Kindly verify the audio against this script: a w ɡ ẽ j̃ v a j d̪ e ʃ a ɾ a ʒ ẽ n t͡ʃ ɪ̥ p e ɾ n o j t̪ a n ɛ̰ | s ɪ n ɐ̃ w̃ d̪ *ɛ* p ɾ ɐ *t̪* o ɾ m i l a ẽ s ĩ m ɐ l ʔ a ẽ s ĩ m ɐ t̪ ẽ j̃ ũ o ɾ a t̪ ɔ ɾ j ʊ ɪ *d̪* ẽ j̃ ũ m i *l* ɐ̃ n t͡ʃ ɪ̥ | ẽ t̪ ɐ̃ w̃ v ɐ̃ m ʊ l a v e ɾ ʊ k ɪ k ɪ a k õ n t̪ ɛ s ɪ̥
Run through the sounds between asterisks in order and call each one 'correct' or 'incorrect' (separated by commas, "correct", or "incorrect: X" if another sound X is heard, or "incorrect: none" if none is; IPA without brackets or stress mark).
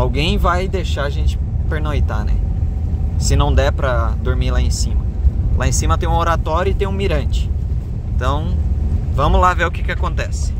correct, incorrect: d̪, incorrect: t̪, incorrect: ɾ